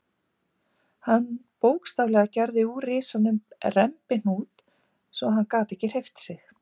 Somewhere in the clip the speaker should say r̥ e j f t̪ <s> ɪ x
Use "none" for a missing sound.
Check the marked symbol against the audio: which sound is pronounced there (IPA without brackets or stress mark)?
s